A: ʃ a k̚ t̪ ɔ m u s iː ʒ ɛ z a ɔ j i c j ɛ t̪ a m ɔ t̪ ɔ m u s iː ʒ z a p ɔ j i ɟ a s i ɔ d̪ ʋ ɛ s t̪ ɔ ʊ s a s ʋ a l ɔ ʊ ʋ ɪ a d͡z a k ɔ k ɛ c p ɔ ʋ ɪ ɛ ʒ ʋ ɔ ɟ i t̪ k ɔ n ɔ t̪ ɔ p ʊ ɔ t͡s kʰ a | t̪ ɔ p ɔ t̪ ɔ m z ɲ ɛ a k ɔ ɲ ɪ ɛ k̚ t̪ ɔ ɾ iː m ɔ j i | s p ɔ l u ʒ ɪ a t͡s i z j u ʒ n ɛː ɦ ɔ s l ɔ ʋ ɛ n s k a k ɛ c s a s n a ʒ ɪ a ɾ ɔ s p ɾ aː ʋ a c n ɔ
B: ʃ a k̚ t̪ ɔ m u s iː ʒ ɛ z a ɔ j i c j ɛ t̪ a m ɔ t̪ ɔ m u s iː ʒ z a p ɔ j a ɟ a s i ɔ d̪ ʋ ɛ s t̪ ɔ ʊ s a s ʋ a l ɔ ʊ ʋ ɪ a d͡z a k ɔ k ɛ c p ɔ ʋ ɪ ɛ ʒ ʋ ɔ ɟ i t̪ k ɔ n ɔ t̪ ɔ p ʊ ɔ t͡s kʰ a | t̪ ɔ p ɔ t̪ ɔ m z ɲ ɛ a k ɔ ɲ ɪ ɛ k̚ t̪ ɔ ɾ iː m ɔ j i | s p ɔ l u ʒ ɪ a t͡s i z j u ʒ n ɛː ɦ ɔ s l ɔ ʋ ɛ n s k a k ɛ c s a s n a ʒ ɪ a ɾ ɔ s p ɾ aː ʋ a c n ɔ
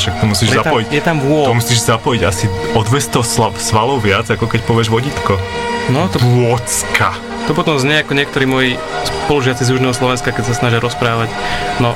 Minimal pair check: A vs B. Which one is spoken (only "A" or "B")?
A